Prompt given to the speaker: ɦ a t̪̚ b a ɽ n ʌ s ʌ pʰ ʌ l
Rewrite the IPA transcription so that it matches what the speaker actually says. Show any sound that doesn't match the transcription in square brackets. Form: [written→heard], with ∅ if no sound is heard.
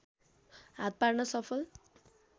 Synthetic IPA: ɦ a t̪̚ [b→p] a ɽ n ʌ s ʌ pʰ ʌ l